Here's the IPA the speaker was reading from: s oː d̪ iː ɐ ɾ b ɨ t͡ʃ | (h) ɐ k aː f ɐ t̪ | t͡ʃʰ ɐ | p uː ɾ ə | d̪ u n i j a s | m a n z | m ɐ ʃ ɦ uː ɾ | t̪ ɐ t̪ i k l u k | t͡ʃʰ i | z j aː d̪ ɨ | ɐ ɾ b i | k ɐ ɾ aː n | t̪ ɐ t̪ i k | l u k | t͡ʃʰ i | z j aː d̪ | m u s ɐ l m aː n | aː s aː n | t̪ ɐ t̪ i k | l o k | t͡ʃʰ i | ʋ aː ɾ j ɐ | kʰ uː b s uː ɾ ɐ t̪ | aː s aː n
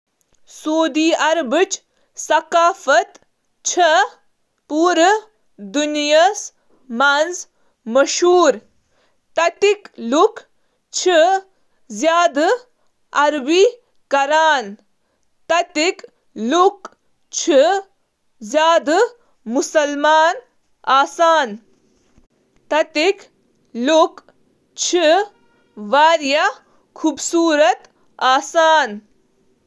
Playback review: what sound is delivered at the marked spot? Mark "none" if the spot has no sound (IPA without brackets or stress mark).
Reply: s